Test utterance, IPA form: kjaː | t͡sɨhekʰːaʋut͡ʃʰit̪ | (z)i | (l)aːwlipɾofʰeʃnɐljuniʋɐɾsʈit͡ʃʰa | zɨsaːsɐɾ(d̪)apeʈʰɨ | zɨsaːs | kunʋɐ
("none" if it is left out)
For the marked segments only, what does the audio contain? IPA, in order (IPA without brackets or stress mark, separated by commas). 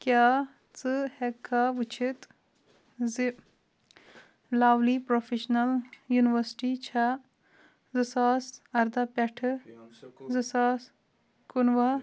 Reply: z, l, d̪